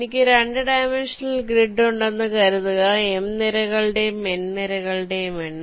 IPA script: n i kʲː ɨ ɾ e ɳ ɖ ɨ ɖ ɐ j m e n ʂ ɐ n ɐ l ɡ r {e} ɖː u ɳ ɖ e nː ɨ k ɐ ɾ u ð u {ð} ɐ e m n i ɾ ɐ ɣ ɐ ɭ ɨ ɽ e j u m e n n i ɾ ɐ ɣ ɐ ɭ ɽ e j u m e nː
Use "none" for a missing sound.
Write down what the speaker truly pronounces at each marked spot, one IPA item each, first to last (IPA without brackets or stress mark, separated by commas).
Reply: i, ɣ